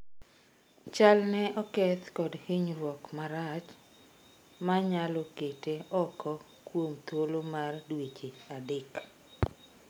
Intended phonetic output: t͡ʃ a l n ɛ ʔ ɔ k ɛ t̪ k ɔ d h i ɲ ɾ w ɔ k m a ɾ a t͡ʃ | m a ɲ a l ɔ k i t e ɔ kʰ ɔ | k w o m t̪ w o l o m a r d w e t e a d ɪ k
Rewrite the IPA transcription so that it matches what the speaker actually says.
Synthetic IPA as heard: t͡ʃ a l n ɛ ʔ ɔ k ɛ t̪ k ɔ d h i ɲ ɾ w ɔ k m a ɾ a t͡ʃ | m a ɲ a l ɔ k e t e ɔ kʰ ɔ | k w o m t̪ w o l o m a r d w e t͡ʃ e a d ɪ k